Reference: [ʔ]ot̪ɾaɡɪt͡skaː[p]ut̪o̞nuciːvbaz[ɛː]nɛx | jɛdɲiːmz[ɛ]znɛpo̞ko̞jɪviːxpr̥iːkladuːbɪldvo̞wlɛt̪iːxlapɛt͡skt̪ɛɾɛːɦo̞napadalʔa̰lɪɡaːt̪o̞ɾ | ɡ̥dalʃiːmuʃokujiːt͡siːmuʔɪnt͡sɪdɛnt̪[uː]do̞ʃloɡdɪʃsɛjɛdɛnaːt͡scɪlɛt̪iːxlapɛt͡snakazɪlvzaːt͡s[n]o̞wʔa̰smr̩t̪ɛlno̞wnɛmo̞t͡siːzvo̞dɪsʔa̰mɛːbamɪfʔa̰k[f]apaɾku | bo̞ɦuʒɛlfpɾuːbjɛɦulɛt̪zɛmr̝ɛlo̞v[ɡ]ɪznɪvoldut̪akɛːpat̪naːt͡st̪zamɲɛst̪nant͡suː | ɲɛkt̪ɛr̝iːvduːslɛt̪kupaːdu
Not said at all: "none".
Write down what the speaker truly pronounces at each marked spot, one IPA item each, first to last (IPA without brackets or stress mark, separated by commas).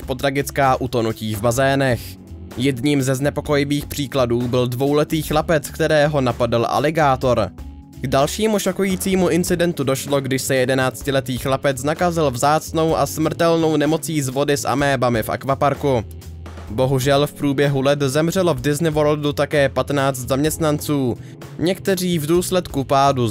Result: p, ʔ, ɛː, ɛ, u, n, v, d